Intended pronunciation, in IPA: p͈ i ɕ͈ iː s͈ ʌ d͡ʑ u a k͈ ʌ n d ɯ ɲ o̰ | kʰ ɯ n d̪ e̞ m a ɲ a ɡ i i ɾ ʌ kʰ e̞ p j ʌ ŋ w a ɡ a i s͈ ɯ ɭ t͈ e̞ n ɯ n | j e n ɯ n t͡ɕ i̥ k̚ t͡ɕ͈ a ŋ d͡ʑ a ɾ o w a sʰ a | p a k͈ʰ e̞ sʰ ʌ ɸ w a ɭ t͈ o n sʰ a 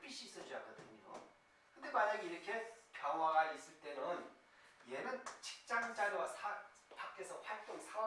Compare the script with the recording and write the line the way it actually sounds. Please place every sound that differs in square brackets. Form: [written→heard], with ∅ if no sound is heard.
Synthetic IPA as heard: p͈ i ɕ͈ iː s͈ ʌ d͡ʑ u a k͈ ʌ [n→∅] d ɯ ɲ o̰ | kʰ ɯ n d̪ e̞ m a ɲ a ɡ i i ɾ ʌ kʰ e̞ p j ʌ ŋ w a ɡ a i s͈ ɯ ɭ t͈ e̞ n ɯ n | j e n ɯ n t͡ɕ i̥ k̚ t͡ɕ͈ a ŋ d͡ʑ a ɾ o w a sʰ a | p a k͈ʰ e̞ sʰ ʌ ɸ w a ɭ t͈ o [n→ŋ] sʰ a